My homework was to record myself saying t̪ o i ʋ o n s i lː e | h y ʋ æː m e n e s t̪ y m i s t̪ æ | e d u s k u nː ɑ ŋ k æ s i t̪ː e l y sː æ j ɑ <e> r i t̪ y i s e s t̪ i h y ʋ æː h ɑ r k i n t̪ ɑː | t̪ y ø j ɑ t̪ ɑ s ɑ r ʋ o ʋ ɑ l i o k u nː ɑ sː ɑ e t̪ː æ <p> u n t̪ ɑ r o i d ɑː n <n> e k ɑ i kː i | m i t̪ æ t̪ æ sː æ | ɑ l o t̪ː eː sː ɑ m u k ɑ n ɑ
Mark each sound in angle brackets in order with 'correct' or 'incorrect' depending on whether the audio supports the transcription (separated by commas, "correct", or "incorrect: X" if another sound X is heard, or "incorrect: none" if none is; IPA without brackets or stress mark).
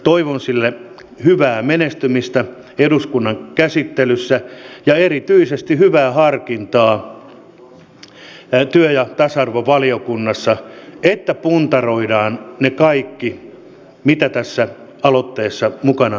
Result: correct, correct, correct